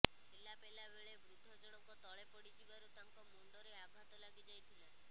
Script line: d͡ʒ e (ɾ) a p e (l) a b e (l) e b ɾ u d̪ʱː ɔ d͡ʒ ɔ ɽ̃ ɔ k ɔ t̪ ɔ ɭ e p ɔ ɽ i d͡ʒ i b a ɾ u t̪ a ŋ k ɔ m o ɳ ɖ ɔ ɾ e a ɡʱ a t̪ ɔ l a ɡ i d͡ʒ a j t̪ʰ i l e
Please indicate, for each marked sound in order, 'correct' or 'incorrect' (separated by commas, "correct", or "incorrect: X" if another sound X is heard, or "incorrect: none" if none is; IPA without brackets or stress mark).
incorrect: l, correct, incorrect: ɭ